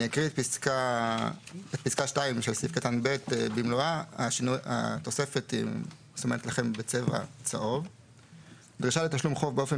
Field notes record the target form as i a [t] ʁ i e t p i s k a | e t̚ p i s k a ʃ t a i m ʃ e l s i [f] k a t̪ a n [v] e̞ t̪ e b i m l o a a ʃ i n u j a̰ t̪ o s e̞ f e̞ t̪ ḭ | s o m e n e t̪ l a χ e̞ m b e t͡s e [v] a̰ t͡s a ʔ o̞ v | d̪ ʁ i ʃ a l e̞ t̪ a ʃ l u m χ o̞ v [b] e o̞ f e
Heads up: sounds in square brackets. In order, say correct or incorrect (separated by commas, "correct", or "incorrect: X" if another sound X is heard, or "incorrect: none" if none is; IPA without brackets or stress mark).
incorrect: k, correct, incorrect: b, correct, correct